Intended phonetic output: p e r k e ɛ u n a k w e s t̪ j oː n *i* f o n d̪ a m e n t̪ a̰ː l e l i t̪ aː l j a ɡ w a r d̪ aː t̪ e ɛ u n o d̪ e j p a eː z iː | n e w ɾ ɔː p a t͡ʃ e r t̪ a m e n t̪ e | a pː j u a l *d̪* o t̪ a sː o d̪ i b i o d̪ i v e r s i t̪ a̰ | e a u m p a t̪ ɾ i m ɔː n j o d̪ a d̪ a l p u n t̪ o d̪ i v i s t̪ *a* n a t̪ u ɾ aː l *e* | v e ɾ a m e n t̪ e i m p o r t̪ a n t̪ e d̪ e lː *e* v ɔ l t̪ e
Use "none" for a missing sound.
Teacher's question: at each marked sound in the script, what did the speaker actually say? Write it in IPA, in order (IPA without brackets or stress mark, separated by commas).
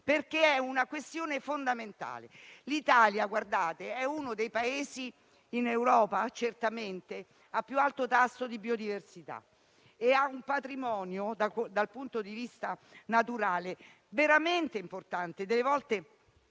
e, t̪, a, e, e